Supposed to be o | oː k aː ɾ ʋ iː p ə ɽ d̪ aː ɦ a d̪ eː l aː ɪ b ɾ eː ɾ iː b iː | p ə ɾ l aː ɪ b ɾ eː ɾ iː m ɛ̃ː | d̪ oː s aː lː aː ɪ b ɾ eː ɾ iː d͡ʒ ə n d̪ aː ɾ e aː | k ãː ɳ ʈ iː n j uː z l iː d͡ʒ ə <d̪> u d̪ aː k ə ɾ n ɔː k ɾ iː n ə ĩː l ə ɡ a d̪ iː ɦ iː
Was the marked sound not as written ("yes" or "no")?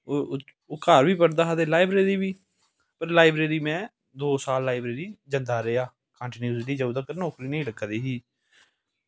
yes